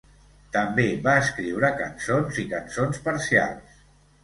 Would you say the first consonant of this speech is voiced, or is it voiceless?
voiceless